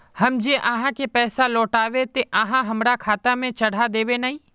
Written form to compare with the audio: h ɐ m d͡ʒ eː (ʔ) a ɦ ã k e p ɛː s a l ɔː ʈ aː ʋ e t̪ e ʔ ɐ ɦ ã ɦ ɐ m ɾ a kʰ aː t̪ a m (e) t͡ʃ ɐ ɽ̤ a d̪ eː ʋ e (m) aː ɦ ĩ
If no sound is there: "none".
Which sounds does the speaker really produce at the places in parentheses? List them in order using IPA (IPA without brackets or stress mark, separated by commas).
ʔ, ẽ, n